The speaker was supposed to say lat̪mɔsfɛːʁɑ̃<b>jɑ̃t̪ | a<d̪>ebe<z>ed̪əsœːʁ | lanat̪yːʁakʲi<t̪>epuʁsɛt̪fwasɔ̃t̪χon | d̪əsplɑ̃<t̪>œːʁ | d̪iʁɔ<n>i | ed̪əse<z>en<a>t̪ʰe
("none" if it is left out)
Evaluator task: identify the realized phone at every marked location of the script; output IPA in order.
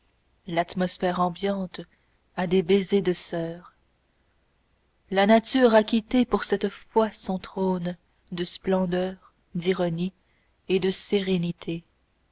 b, d̪, z, t̪, d̪, n, ʁ, i

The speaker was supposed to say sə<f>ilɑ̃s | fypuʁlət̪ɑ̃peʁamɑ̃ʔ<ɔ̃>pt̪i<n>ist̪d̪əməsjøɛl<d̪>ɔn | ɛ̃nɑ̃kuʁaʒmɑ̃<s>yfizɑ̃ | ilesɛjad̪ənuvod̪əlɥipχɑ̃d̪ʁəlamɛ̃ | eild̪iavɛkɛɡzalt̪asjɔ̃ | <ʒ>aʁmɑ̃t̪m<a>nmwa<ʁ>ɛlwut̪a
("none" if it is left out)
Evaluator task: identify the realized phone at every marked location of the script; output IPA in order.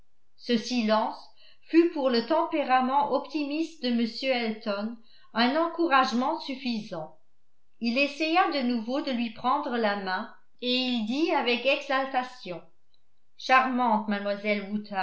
s, ɔ, m, t̪, s, ʃ, a, z

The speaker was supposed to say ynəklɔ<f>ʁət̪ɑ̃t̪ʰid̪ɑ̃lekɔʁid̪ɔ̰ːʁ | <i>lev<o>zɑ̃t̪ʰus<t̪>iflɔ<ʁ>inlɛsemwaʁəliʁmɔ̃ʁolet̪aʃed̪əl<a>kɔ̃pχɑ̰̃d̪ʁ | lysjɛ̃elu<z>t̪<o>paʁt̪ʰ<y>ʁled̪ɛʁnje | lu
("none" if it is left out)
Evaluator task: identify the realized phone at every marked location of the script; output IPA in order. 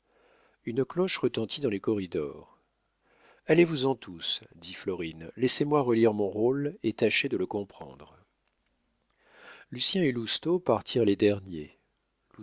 ʃ, a, u, d̪, ʁ, ə, s, o, i

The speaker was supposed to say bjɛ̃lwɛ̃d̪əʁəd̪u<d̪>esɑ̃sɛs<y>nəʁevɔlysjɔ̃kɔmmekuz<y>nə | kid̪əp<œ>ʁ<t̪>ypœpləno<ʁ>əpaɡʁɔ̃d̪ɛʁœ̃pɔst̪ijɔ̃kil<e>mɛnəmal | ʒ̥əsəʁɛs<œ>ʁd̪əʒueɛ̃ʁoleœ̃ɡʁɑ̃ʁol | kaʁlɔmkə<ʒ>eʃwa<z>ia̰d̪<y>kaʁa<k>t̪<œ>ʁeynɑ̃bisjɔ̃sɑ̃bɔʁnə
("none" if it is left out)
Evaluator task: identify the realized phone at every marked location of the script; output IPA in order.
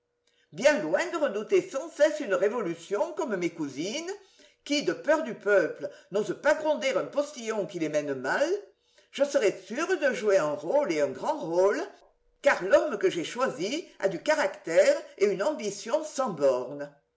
t̪, y, i, œ, d̪, z, e, y, ʒ, z, y, k, ɛ

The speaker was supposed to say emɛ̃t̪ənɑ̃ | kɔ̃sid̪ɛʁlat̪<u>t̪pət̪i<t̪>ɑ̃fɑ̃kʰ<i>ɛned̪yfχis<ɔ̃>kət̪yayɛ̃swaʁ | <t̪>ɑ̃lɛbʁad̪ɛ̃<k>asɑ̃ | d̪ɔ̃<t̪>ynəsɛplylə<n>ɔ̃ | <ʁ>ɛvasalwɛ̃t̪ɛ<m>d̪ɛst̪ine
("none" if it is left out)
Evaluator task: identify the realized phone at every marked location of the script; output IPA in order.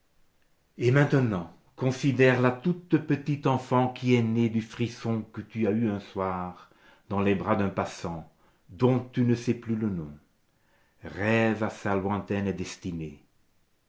u, t̪, i, ɔ̃, d̪, p, t̪, n, ʁ, n

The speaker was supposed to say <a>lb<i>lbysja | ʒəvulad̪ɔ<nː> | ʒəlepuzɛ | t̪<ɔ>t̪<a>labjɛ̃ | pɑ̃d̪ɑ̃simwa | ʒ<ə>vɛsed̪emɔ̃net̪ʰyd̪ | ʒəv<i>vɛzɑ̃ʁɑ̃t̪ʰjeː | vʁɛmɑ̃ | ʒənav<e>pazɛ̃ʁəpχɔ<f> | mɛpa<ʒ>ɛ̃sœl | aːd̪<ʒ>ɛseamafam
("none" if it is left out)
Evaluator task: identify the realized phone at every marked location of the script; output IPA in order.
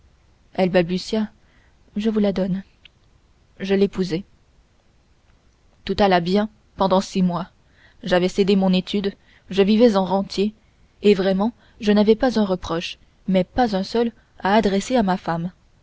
ɛ, a, n, u, a, a, i, ɛ, ʃ, z, ʁ

